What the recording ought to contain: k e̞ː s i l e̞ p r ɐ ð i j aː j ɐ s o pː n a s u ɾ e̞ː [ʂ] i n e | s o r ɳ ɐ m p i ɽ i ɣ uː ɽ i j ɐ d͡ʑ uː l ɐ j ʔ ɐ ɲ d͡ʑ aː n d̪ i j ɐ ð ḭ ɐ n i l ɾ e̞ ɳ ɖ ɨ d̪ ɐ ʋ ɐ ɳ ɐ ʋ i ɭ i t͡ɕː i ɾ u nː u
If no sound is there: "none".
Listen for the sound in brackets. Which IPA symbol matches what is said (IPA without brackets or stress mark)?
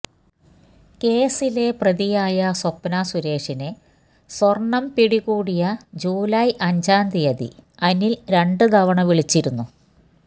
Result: ʂ